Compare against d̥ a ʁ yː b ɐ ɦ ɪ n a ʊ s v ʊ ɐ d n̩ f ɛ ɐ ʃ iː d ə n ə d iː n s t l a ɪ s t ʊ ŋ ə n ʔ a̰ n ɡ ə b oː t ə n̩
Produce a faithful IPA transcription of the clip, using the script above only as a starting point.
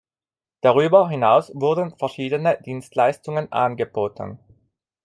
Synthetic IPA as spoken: d̥ a ʁ yː b ɐ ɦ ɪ n a ʊ s v ʊ ɐ d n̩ f ɛ ɐ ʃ iː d ə n ə d iː n s t l a ɪ s t ʊ ŋ ə n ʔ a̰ n ɡ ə b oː t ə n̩